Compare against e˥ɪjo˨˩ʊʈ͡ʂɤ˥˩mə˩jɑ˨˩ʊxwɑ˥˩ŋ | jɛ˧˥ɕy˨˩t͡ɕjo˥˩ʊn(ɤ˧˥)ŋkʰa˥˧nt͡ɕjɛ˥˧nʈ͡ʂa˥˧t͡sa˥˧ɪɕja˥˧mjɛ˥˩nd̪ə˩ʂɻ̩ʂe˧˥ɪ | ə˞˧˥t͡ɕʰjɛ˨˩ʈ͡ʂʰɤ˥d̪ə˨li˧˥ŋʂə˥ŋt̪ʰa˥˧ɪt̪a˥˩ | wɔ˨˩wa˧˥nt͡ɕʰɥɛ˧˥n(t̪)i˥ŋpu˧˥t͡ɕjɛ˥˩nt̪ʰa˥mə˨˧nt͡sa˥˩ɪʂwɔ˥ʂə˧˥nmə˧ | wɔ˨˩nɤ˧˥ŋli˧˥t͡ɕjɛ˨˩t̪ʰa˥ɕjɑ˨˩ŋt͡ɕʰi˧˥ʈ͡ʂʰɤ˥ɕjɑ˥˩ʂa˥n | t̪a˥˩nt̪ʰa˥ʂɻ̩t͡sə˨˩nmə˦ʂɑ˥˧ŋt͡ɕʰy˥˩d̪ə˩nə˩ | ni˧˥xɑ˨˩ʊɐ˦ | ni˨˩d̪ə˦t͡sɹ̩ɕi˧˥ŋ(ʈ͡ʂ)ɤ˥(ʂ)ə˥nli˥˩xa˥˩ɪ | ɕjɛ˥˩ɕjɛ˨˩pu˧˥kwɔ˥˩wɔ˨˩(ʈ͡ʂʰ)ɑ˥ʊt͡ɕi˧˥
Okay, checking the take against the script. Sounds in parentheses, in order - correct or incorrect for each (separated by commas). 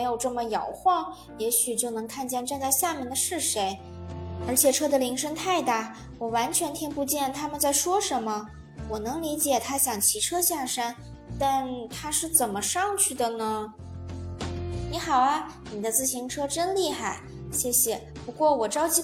correct, incorrect, incorrect, incorrect, incorrect